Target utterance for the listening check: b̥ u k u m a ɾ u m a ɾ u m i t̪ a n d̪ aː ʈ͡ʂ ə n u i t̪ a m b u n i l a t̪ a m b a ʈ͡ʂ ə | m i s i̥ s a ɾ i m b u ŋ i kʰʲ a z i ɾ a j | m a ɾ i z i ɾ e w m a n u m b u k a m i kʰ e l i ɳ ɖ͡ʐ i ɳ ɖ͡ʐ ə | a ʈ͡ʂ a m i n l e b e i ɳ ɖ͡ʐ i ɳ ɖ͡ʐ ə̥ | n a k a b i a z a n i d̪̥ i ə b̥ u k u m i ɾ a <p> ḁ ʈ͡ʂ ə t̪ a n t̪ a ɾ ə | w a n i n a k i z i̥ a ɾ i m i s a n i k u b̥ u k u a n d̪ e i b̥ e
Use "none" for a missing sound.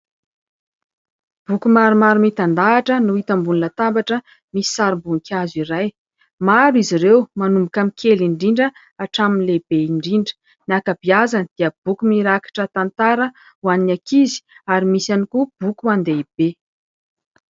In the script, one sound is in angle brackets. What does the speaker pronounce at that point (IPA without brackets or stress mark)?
k